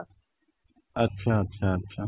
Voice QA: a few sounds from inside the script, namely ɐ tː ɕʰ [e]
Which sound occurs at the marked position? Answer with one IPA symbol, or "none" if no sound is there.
a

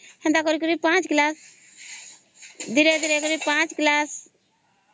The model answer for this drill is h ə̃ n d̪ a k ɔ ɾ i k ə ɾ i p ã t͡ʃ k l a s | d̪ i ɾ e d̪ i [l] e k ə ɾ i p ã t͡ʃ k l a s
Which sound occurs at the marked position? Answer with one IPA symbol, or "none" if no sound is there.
ɾ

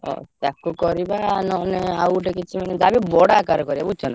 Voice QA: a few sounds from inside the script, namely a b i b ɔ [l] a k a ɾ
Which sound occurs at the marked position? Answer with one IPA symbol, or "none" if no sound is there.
ɽ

